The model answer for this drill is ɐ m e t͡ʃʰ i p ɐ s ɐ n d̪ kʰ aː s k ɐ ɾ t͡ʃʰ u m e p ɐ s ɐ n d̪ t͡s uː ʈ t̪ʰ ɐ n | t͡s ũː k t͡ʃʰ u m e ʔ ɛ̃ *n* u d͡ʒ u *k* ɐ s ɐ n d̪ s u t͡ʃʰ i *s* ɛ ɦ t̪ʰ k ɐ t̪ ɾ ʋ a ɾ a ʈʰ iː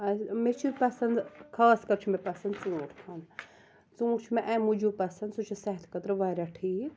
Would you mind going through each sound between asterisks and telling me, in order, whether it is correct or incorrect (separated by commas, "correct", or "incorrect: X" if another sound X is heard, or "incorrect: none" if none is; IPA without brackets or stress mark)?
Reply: incorrect: m, incorrect: p, correct